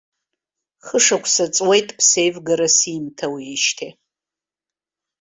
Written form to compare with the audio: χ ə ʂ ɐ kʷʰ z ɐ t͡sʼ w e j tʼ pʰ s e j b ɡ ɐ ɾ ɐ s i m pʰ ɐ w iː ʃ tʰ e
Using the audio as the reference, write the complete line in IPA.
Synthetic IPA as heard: χ ə ʂ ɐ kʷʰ s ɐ t͡sʼ w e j tʼ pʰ s e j v ɡ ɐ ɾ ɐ s i m tʰ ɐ w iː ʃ tʰ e